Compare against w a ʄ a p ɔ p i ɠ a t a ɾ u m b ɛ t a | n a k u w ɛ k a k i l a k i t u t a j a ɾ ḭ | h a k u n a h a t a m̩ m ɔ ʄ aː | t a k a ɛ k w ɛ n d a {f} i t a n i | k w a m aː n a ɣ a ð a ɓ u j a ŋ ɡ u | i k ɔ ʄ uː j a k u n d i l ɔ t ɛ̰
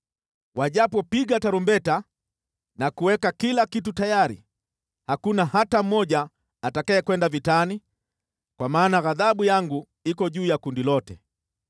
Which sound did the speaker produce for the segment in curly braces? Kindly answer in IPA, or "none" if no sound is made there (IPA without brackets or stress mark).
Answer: v